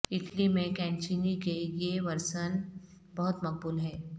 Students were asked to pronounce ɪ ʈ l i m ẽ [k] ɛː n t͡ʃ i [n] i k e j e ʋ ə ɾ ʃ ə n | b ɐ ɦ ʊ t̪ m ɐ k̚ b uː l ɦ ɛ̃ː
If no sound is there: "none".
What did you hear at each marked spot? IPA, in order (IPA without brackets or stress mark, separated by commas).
k, n